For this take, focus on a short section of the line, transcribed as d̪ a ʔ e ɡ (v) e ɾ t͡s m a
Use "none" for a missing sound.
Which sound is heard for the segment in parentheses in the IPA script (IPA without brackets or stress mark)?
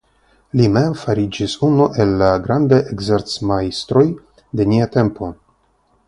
z